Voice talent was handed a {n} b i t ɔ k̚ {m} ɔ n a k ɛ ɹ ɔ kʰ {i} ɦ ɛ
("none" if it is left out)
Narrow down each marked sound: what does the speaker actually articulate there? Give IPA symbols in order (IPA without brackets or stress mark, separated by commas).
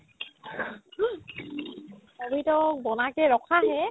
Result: none, b, a